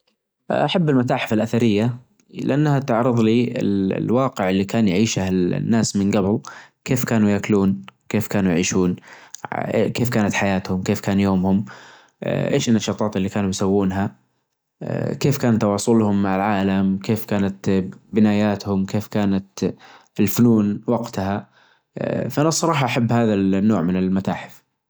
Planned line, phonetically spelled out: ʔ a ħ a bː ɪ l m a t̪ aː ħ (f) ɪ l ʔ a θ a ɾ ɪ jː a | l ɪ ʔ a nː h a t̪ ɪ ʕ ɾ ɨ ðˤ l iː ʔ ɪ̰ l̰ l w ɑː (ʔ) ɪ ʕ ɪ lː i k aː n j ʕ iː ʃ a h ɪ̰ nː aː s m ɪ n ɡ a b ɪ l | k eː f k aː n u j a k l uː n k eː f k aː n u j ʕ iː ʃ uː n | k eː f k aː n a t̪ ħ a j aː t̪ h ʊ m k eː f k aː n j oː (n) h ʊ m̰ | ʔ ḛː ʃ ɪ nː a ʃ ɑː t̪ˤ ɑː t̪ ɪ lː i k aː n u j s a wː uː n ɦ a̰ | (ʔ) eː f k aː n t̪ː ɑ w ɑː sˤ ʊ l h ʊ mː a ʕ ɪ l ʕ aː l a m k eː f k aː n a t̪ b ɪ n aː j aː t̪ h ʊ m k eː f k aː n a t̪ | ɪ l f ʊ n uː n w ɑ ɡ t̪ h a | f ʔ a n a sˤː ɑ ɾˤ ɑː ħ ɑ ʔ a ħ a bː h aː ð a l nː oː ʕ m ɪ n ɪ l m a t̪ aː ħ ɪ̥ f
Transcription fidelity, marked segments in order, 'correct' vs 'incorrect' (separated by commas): correct, incorrect, incorrect, incorrect